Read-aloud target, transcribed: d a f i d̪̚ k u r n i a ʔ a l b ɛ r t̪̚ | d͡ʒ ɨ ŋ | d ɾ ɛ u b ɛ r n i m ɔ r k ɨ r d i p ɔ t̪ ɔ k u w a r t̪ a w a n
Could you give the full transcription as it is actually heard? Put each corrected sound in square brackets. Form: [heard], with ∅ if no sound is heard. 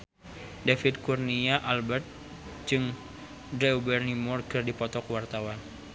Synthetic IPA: d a f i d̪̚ k u r n i a ʔ a l b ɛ r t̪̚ | d͡ʒ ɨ ŋ | d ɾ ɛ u b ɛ r n i m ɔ r k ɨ r d i p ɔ t̪ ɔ k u w a r t̪ a w a n